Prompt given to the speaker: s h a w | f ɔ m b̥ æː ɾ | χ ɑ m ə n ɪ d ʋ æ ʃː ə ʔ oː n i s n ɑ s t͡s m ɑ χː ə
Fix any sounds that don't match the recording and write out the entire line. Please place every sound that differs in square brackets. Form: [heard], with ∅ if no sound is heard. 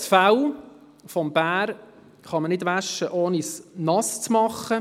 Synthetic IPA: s [f] a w | f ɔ m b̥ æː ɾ | χ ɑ m ə n ɪ d ʋ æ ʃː ə ʔ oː n i s n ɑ s t͡s m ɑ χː ə